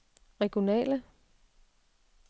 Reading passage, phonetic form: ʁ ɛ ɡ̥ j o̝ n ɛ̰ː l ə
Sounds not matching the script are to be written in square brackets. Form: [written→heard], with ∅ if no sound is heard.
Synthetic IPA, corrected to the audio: ʁ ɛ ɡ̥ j o̝ n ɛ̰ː l ə